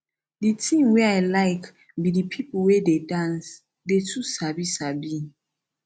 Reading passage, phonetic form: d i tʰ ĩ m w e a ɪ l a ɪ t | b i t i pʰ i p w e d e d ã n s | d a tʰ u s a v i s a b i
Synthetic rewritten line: d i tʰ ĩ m w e a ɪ l a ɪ k | b i d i pʰ i p w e d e d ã n s | d e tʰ u s a b i s a b i